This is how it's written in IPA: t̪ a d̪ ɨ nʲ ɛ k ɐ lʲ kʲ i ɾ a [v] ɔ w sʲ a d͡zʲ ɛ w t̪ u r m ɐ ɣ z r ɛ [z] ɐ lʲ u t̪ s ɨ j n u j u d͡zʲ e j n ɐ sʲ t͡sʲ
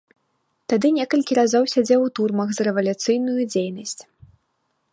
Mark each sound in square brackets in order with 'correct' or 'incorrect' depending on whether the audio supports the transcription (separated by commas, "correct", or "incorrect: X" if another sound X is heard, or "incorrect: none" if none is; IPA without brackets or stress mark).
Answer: incorrect: z, incorrect: v